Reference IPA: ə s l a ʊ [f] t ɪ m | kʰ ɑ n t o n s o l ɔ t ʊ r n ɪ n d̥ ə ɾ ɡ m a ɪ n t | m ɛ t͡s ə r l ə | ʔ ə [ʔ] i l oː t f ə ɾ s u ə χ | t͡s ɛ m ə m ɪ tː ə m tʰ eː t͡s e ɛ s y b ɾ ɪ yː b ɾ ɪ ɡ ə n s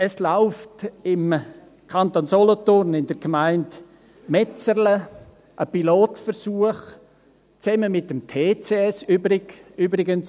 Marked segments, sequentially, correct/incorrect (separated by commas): correct, incorrect